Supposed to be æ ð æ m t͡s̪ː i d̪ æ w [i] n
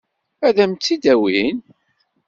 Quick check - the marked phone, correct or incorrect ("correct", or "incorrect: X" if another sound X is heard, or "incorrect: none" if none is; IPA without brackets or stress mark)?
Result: correct